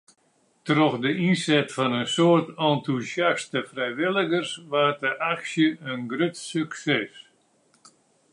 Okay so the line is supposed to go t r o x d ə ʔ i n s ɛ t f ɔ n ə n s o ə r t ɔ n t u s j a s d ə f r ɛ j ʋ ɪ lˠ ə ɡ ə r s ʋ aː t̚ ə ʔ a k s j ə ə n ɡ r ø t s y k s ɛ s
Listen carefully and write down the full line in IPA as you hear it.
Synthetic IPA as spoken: t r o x d ə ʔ i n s ɛ t f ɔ n ə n s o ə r t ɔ n t u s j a s t ə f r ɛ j ʋ ɪ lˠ ə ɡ ə r s ʋ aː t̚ ə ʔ a k s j ə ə n ɡ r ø t s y k s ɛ s